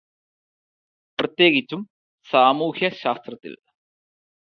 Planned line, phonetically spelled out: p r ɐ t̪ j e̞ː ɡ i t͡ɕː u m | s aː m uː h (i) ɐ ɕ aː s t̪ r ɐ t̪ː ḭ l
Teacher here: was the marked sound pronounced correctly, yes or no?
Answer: no